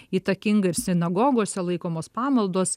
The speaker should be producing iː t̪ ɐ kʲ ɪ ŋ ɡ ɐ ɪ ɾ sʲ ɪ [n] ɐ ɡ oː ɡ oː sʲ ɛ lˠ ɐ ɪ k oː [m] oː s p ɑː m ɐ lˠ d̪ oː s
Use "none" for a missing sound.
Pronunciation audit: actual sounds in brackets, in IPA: n, m

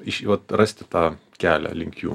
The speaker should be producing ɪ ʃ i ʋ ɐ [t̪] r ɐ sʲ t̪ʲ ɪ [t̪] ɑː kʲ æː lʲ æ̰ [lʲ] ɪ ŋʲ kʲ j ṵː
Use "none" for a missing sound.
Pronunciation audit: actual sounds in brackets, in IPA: t̪, t̪, lʲ

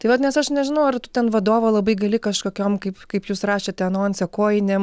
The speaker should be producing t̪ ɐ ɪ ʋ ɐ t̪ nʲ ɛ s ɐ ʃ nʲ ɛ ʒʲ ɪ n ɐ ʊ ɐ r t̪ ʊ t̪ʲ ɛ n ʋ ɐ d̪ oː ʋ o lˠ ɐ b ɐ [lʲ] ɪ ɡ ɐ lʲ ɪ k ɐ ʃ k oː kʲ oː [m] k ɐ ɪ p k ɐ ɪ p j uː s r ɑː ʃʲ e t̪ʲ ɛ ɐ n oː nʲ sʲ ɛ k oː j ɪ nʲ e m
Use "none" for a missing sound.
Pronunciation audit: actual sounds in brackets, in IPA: none, m

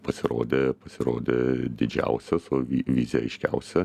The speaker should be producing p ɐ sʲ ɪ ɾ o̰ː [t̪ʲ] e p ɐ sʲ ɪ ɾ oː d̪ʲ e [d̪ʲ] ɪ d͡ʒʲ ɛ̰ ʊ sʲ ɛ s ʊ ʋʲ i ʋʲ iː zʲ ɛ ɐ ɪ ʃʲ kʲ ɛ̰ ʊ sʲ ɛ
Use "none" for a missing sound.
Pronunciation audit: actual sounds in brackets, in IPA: d̪ʲ, d̪ʲ

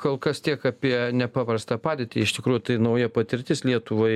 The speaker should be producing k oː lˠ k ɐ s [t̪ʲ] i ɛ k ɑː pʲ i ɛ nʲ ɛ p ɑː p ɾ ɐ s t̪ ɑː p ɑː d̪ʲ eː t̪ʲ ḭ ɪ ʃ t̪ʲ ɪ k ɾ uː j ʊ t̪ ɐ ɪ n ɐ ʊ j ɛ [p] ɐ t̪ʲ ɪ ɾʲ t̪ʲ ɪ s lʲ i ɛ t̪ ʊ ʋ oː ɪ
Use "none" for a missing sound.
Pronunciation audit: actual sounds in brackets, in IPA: t̪ʲ, p

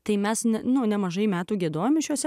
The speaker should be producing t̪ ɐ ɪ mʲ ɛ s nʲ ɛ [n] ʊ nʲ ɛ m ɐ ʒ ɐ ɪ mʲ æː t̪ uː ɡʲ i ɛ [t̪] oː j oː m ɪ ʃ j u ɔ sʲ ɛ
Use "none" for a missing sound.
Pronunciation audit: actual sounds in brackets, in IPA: n, d̪

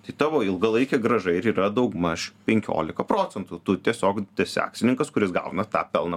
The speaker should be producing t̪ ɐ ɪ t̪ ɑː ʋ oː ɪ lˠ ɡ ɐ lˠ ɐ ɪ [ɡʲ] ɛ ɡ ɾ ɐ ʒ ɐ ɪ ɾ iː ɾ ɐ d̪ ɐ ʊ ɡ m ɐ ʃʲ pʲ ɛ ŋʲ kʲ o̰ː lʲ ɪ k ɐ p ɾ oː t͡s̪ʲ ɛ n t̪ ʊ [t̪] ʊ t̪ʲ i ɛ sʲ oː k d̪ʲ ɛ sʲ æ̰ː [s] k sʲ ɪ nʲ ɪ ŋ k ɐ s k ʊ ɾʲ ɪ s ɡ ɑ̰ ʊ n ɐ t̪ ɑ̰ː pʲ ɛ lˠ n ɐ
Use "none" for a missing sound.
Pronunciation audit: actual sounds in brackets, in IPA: kʲ, t̪, none

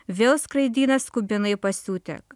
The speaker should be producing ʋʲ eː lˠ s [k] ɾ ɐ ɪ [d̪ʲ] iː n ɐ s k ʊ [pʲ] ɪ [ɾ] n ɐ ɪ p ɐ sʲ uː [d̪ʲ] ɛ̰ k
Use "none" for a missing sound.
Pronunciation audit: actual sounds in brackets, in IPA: k, d̪ʲ, bʲ, none, t̪ʲ

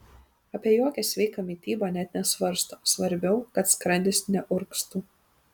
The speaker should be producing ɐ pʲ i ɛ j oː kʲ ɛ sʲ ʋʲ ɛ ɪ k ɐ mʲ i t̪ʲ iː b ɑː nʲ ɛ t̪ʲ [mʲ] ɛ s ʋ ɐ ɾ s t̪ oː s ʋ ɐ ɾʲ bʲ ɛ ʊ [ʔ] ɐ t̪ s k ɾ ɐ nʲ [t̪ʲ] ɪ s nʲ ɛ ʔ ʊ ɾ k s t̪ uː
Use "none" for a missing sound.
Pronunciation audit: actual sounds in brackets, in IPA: nʲ, k, d̪ʲ

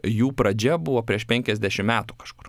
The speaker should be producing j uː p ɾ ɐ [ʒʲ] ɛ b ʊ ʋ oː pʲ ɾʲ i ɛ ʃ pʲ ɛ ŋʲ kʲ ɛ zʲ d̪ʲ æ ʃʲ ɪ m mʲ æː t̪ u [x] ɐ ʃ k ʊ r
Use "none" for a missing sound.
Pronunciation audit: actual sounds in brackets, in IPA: d͡ʒʲ, k

